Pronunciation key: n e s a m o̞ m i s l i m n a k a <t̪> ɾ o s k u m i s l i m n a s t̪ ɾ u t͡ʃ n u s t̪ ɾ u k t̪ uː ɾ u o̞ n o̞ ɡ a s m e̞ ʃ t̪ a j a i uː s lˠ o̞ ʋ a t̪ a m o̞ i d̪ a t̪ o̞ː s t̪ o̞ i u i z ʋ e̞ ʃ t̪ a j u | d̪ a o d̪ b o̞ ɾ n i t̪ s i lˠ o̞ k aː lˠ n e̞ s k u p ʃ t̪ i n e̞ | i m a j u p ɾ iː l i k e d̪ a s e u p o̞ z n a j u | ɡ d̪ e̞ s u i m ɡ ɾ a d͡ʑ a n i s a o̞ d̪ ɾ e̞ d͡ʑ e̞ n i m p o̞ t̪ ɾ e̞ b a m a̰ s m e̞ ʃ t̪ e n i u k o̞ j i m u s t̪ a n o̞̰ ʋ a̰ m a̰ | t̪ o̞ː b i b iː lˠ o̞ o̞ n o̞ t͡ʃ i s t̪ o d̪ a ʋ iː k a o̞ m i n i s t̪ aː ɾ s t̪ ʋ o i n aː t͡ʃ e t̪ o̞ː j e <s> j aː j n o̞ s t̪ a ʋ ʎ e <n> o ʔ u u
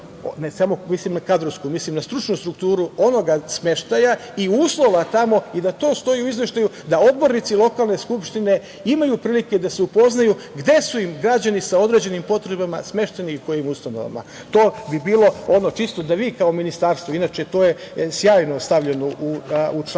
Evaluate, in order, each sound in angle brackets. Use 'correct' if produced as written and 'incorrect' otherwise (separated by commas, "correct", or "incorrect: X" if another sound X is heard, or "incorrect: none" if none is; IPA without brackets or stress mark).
incorrect: d̪, correct, correct